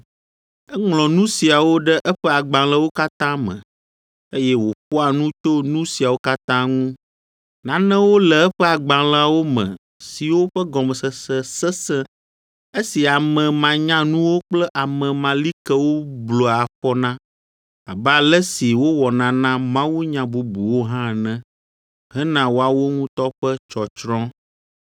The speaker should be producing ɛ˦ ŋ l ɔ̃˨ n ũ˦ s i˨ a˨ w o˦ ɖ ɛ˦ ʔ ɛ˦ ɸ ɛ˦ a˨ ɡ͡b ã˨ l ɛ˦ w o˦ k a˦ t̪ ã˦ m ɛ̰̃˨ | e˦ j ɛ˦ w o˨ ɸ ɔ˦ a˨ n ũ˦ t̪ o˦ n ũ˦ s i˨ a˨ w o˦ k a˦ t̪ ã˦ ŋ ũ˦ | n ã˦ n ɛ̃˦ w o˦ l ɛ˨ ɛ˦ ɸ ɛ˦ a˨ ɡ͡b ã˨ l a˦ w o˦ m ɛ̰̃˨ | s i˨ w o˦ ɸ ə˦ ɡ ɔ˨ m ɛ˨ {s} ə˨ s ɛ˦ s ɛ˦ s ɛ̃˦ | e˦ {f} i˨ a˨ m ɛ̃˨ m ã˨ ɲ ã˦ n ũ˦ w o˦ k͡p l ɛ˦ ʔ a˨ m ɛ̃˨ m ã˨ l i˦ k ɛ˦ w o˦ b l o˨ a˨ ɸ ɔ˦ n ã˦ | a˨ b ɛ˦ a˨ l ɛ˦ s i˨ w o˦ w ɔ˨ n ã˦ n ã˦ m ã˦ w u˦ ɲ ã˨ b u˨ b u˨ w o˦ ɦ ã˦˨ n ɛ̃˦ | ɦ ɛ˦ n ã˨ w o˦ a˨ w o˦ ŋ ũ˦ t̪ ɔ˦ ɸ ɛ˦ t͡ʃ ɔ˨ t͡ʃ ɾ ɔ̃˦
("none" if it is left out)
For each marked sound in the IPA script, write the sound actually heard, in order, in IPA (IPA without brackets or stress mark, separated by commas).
s, s